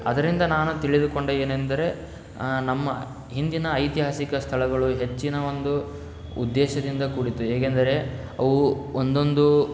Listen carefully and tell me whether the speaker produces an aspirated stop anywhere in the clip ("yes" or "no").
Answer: yes